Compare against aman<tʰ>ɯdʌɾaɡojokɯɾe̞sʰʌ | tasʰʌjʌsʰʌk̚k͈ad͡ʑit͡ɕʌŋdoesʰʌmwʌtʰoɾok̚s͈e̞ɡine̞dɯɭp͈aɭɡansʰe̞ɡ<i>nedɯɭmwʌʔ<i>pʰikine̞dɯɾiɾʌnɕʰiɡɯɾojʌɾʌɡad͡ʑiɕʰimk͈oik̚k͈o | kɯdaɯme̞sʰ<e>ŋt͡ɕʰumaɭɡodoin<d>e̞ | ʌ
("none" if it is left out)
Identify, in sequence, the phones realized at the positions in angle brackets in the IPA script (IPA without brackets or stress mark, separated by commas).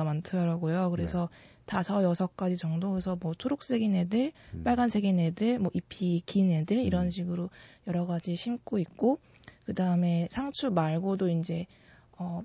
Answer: tʰ, i, i, a, d͡ʑ